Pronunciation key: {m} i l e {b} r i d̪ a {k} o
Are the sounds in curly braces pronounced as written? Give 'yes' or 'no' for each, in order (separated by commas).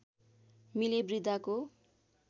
yes, yes, yes